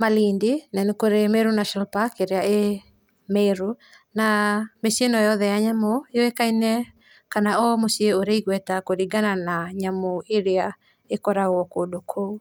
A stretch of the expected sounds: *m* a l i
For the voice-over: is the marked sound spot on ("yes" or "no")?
yes